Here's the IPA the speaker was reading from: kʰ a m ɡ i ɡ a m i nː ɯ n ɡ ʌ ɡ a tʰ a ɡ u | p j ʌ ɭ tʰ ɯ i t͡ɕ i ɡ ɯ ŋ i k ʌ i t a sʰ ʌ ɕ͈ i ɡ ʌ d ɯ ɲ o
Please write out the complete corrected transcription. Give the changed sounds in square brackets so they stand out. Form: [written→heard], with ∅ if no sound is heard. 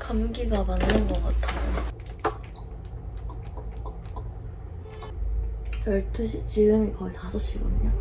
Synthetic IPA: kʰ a m ɡ i ɡ a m [i→a] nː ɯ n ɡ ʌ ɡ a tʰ a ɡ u | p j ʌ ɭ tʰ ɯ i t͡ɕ i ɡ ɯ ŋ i k ʌ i t a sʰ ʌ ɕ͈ i ɡ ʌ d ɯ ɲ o